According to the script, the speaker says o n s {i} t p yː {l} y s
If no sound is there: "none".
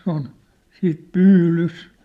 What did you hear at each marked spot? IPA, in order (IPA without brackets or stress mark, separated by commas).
iː, l